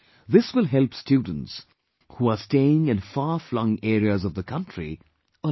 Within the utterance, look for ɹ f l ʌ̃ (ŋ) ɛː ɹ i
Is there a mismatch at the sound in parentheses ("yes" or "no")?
no